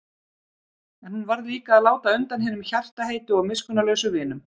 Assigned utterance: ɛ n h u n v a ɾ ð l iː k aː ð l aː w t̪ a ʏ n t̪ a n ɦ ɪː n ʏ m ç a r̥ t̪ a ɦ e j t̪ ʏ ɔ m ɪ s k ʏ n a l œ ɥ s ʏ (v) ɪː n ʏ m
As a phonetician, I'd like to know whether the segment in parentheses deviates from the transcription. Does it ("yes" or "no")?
no